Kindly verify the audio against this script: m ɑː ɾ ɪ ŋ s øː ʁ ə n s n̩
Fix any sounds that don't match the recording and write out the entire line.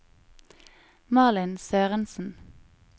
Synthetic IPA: m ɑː l ɪ n s øː ʁ ə n s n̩